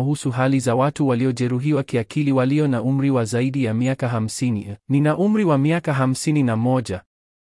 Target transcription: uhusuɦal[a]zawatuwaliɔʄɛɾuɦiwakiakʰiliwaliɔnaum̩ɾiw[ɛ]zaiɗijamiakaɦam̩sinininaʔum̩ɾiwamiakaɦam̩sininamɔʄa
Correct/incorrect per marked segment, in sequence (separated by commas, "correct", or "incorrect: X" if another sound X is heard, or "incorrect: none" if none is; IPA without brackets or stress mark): incorrect: i, incorrect: a